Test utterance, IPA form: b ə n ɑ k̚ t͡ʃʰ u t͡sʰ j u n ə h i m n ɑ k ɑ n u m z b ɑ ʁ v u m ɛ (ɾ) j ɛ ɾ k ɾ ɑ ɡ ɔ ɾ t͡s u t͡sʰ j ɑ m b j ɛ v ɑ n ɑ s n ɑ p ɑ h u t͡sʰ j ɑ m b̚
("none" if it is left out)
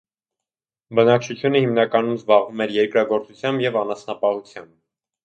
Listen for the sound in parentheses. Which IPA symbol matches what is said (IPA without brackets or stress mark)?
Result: ɾ